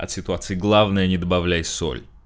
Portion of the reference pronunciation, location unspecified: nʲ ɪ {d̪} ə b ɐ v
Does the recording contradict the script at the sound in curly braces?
no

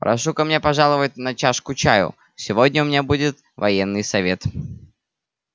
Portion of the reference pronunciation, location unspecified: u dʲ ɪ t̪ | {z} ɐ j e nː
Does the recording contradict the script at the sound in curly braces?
yes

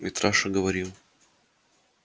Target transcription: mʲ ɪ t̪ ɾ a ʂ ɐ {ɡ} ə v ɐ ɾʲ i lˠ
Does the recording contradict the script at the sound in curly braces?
no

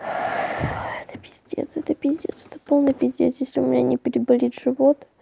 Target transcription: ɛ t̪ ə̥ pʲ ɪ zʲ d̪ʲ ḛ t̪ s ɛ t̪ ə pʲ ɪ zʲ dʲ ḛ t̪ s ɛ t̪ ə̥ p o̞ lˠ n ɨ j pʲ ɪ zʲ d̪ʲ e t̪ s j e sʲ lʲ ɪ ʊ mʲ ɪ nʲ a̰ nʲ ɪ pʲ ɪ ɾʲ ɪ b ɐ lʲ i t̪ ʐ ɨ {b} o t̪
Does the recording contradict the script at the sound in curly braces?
yes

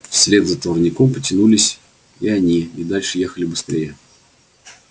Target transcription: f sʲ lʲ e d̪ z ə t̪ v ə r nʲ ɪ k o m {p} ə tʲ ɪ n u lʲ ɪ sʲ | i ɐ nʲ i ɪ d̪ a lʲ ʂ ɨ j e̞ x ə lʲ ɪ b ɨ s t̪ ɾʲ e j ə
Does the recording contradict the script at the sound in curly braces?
no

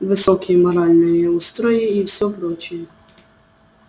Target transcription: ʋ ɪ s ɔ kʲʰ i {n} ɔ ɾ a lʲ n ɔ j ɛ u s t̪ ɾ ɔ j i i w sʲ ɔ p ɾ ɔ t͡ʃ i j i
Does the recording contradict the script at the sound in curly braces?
yes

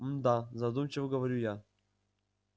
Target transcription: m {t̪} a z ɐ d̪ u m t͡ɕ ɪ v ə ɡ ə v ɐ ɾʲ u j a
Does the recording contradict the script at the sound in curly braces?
yes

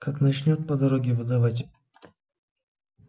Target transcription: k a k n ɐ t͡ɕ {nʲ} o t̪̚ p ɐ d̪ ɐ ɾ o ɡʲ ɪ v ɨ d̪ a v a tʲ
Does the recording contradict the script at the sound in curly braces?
no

